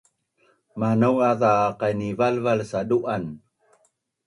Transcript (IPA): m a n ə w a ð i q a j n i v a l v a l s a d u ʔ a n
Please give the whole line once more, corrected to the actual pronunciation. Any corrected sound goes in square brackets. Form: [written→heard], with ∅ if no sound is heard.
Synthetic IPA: m a n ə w a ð [i→a] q a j n i v a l v a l s a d u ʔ a n